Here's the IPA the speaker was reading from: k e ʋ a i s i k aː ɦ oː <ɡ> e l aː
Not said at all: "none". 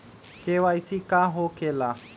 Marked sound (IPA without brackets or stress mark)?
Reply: k